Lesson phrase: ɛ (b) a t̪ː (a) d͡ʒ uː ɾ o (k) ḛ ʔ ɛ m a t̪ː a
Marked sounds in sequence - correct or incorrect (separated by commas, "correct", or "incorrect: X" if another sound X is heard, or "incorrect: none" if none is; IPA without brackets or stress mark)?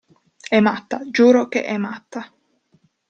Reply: incorrect: m, correct, correct